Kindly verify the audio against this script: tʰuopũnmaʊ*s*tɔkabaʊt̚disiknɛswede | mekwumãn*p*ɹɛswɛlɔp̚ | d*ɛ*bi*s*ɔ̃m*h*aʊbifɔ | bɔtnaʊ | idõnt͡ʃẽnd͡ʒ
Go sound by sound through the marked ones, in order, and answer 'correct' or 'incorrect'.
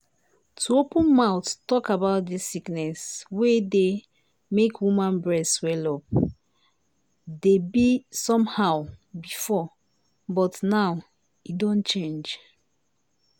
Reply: incorrect: t, incorrect: b, incorrect: e, correct, correct

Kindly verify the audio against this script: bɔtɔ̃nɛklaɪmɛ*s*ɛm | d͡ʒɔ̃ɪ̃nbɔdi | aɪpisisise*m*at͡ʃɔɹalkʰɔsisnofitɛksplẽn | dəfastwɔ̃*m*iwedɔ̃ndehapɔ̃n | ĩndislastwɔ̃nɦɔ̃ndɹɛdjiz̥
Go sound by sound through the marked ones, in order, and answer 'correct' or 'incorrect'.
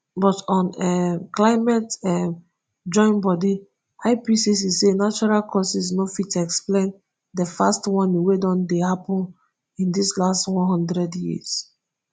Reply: incorrect: t, incorrect: n, incorrect: n

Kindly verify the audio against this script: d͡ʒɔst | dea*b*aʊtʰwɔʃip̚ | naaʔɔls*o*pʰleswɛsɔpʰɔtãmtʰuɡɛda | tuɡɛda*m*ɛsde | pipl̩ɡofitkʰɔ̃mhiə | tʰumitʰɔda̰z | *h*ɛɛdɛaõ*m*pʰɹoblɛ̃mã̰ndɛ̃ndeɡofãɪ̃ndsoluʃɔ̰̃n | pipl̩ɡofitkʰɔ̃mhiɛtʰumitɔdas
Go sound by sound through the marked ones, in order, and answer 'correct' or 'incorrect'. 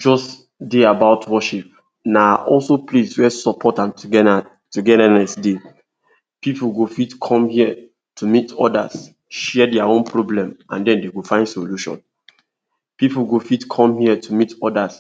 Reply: correct, correct, incorrect: n, incorrect: ʃ, incorrect: n

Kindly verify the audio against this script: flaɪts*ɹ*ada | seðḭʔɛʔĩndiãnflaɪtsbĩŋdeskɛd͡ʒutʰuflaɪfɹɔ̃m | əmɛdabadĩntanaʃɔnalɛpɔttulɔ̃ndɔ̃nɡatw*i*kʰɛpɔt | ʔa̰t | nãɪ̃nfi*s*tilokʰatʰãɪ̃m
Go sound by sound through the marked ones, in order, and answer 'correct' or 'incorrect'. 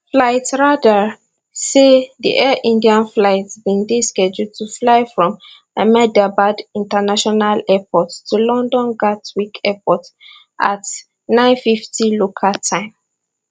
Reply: correct, correct, incorrect: f

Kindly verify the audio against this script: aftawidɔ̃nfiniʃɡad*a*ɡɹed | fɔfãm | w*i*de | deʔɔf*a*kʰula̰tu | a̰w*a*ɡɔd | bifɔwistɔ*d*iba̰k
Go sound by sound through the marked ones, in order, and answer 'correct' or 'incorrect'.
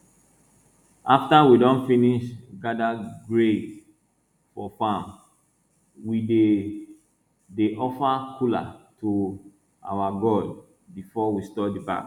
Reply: correct, correct, correct, correct, correct

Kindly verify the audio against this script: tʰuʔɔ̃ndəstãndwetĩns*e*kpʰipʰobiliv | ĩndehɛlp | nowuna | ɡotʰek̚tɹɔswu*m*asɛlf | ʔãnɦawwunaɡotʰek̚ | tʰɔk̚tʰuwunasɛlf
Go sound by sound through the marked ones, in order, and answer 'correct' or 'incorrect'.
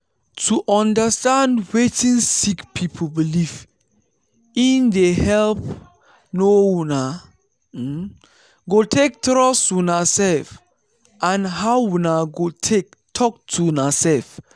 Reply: incorrect: i, incorrect: n

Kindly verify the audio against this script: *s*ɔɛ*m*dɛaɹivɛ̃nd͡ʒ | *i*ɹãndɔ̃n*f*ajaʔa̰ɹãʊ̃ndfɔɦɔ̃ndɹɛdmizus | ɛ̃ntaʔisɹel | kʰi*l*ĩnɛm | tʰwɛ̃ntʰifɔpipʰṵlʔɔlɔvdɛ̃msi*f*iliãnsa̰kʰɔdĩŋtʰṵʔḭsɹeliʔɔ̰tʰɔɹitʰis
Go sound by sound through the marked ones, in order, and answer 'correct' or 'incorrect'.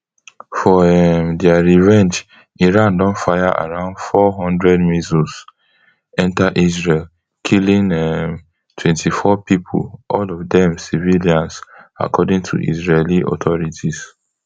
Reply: incorrect: f, correct, correct, correct, correct, incorrect: v

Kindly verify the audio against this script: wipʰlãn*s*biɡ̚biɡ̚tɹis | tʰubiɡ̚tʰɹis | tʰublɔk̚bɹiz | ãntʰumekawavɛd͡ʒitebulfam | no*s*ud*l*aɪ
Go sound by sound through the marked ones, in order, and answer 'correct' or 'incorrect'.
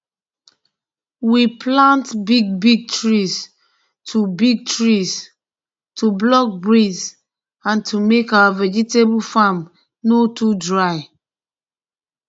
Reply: incorrect: t, incorrect: t, incorrect: ɹ

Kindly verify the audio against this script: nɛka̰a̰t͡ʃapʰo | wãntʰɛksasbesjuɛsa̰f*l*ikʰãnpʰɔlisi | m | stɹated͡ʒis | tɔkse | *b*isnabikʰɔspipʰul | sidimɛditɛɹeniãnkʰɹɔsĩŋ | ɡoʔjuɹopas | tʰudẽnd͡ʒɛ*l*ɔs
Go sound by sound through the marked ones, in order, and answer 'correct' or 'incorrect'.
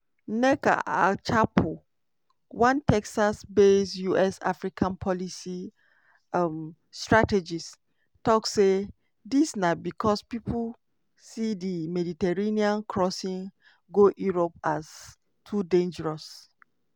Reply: incorrect: ɹ, incorrect: d, incorrect: ɹ

